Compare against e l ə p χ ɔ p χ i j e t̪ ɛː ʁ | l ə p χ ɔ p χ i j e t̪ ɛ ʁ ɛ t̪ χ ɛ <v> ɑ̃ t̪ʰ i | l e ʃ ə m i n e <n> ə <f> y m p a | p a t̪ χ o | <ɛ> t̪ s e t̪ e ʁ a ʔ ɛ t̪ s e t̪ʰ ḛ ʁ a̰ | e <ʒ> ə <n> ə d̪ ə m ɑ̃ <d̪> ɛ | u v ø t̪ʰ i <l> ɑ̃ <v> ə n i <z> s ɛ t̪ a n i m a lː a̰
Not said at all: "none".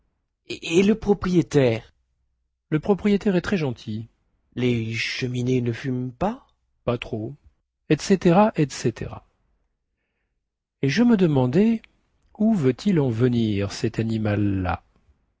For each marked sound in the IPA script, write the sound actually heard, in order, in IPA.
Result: ʒ, n, f, ɛ, ʒ, m, d̪, l, v, ʁ

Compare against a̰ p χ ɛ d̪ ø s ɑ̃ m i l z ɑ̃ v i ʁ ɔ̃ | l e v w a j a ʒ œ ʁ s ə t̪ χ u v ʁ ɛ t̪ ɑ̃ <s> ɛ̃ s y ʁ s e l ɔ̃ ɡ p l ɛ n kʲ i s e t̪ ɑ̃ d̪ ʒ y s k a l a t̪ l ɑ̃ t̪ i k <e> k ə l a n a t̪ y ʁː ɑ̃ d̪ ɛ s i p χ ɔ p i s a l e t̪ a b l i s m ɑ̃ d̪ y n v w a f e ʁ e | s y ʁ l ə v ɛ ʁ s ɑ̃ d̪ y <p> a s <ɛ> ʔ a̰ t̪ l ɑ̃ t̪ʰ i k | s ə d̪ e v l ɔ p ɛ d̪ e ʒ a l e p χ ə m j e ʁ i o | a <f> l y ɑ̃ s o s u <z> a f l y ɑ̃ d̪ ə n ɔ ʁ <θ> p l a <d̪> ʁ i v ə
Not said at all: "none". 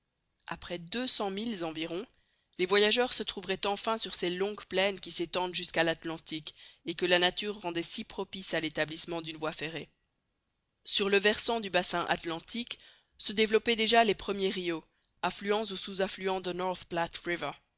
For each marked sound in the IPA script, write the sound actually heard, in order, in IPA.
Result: f, e, b, ɛ̃, f, z, θ, t̪

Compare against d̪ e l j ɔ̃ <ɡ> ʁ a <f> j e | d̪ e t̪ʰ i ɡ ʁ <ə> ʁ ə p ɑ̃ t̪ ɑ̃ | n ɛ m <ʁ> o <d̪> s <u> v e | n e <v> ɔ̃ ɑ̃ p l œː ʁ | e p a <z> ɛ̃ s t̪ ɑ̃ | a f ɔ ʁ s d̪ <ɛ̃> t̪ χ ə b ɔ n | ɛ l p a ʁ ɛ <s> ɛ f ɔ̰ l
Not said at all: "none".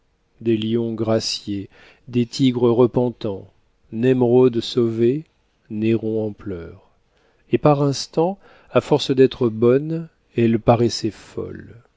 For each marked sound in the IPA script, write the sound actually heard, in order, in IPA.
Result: ɡ, s, ə, ʁ, d̪, o, ʁ, ʁ, ɛ, s

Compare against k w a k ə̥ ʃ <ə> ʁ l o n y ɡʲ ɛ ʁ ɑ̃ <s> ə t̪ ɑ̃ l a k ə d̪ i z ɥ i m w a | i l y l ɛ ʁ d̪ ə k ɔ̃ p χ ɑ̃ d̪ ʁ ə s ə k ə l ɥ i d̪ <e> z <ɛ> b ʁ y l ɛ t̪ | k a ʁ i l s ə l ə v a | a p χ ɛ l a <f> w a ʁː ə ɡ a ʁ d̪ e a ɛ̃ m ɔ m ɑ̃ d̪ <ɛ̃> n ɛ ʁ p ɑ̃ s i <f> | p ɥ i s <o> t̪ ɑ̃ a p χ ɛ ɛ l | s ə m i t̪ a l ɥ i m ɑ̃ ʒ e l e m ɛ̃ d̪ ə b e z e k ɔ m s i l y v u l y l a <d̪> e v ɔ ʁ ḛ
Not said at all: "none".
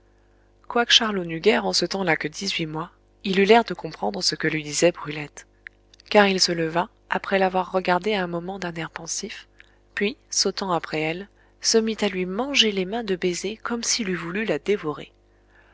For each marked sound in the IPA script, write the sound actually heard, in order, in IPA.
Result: a, s, i, ɛ, v, ɛ̃, f, o, d̪

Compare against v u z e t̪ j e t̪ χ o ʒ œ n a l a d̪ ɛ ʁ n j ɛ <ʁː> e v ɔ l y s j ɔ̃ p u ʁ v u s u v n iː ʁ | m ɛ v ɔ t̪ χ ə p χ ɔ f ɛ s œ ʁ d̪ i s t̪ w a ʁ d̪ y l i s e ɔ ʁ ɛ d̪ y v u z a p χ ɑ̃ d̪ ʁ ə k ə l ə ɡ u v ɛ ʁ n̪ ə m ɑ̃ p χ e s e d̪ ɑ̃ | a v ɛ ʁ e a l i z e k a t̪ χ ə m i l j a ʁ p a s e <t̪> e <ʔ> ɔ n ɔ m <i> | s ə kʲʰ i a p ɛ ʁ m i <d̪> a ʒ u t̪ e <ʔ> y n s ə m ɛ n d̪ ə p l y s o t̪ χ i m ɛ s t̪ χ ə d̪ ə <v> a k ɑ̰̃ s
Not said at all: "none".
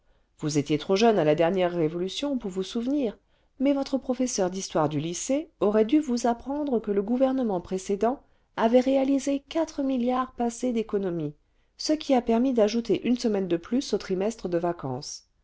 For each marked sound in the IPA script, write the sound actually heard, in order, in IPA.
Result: ʁː, d̪, k, i, d̪, ʔ, v

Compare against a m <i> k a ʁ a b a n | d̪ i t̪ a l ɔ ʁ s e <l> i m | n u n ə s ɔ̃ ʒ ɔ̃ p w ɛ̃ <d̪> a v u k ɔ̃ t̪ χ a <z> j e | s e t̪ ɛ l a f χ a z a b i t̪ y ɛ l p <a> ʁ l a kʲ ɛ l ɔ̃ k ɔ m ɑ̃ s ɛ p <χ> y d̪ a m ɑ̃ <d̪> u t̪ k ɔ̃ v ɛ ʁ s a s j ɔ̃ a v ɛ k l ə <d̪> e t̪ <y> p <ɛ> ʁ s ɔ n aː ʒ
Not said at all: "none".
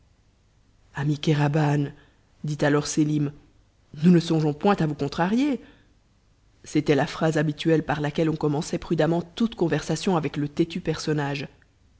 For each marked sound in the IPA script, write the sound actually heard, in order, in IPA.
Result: i, l, t̪, ʁ, a, χ, t̪, t̪, y, ɛ

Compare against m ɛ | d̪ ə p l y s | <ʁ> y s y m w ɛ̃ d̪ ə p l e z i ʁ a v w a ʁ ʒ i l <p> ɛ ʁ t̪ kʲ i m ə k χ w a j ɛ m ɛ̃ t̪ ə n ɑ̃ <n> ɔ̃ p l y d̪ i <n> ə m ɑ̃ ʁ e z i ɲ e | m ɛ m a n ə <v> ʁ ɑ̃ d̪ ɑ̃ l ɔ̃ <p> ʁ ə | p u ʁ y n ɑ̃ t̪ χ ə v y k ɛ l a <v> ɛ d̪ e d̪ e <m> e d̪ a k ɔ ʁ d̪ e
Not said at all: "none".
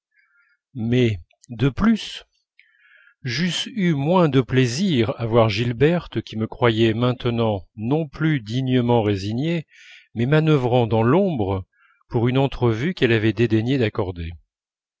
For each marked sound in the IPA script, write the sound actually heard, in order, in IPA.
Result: ʒ, b, n, ɲ, v, b, v, ɲ

